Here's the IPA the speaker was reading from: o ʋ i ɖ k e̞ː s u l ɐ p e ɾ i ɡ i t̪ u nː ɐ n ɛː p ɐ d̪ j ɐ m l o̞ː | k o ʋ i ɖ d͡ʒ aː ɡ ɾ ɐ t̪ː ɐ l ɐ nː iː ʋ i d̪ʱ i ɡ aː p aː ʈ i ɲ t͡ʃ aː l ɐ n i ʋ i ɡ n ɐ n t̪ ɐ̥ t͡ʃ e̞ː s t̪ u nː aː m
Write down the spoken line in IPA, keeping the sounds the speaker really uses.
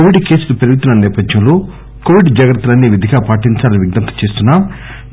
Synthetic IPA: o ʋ i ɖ k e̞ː s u l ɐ p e ɾ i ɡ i t̪ u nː ɐ n ɛː p ɐ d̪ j ɐ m l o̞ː | k o ʋ i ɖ d͡ʒ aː ɡ ɾ ɐ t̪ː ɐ l ɐ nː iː ʋ i d̪ʱ i ɡ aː p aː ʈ i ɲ t͡ʃ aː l ɐ n i ʋ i ɡ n ɐ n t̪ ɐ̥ t͡ʃ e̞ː s t̪ u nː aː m